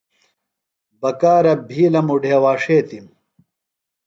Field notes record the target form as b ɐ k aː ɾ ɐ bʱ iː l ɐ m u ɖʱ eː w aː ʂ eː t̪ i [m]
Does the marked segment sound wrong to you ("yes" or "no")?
no